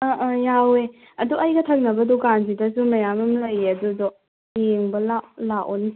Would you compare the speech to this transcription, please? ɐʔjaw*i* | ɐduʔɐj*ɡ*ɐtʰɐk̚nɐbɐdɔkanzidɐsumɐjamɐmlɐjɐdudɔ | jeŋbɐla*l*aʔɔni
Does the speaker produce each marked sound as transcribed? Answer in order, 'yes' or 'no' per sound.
no, yes, yes

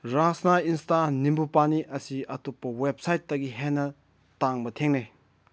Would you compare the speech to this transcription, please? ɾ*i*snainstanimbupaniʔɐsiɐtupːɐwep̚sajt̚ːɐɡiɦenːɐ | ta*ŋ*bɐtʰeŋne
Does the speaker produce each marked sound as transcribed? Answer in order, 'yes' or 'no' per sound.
no, yes

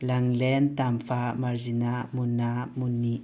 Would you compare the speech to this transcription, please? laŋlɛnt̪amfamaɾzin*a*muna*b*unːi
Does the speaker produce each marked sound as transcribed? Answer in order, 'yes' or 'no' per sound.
yes, no

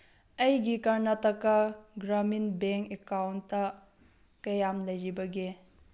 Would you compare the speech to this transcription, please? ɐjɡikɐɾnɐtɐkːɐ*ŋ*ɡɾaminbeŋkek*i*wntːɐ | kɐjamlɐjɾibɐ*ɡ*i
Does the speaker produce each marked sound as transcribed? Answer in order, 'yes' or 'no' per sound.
no, no, yes

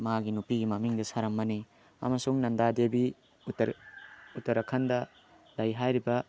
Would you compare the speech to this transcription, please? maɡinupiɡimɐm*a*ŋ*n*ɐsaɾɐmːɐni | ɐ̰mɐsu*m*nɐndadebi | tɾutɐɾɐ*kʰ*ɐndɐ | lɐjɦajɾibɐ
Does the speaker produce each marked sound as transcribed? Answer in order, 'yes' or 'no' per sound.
no, no, no, yes

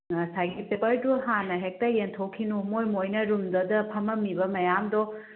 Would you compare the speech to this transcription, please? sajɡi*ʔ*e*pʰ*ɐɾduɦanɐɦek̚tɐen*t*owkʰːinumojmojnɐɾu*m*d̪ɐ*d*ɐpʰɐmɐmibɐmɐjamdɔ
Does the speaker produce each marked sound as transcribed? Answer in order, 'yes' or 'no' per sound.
no, no, no, yes, yes

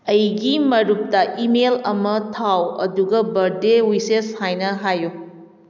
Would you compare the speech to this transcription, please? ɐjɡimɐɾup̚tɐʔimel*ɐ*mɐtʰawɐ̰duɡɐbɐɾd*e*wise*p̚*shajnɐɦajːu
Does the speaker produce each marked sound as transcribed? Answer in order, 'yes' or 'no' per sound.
yes, yes, no

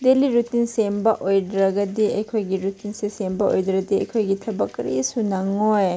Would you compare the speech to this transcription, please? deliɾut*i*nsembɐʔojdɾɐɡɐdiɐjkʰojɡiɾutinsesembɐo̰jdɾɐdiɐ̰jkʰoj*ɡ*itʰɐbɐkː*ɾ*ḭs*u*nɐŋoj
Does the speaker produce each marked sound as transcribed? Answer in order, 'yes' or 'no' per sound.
yes, yes, yes, yes

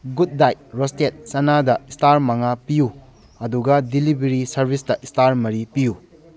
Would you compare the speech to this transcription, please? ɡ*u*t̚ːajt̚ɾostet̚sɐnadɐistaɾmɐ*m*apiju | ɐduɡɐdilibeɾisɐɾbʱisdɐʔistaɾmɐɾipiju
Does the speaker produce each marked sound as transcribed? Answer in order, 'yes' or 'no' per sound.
yes, no

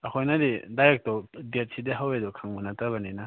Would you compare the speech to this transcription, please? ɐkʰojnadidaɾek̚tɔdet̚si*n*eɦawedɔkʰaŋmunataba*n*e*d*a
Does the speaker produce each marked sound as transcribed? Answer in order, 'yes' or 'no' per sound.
no, yes, no

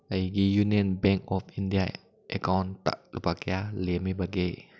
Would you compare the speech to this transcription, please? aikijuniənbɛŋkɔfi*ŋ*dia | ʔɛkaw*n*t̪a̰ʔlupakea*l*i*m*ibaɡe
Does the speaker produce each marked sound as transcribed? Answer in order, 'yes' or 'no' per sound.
no, yes, yes, yes

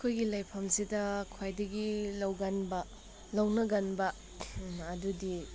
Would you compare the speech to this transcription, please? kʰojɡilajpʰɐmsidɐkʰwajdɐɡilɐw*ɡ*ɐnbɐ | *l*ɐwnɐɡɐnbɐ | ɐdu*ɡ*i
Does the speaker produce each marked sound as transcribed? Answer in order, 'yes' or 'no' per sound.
yes, yes, no

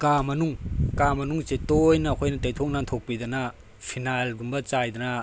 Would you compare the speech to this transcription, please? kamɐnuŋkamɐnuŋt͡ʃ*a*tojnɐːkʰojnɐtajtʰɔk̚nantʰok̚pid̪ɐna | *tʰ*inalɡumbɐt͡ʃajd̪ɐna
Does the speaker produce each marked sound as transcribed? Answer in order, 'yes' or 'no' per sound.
no, no

